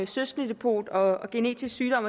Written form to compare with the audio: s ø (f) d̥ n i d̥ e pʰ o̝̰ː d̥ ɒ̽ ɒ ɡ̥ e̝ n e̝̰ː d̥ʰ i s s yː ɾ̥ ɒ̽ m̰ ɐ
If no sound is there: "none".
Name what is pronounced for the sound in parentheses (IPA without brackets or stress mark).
s